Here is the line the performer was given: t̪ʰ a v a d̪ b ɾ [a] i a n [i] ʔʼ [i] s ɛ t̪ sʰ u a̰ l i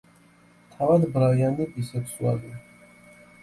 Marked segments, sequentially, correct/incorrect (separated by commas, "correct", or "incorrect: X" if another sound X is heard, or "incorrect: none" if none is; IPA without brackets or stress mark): correct, correct, correct